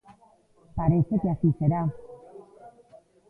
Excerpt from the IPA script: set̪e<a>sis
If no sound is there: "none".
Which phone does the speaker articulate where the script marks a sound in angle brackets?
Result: a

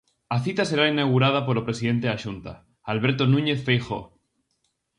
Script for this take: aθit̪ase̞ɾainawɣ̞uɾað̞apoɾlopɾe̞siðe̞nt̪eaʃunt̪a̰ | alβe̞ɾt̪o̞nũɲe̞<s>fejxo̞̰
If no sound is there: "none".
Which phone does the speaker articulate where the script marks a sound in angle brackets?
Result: θ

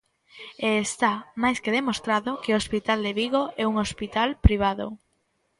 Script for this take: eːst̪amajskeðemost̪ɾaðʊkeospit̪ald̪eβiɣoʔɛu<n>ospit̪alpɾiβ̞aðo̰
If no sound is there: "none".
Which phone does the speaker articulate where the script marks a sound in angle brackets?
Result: ŋ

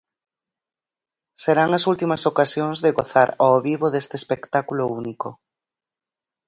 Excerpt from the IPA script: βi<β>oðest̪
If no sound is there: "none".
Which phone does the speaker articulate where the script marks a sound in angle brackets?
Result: β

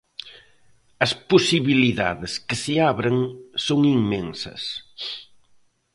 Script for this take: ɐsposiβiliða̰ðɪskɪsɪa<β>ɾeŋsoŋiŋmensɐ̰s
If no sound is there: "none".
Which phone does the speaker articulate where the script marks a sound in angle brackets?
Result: β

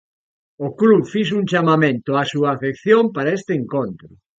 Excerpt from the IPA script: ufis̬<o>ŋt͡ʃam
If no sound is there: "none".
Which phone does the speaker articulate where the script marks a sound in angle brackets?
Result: u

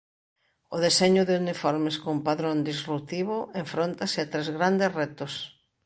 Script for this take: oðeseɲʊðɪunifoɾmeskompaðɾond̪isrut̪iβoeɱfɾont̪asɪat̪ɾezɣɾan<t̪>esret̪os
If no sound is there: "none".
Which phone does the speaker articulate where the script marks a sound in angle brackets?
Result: d̪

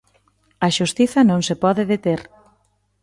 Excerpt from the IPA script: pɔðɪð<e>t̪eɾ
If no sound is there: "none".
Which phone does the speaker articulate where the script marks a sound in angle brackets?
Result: e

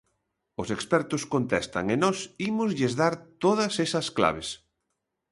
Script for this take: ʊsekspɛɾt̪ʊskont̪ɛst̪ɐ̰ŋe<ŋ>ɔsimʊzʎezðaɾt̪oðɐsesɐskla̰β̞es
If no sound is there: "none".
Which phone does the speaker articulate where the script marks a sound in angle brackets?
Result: n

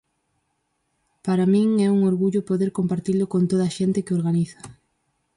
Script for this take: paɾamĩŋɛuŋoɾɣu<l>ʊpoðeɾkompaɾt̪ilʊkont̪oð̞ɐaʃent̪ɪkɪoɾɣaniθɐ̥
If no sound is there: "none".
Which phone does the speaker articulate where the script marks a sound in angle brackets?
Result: ʎ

